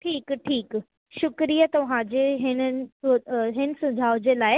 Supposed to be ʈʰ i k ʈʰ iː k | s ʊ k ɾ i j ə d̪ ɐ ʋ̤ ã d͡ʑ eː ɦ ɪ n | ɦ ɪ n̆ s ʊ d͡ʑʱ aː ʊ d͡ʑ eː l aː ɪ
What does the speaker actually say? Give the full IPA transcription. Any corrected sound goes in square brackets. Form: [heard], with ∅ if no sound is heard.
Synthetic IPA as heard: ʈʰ [iː] k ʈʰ iː k | [ʃ] ʊ k ɾ i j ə [t̪] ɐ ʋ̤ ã d͡ʑ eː ɦ ɪ n | ɦ ɪ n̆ s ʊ d͡ʑʱ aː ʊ d͡ʑ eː l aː ɪ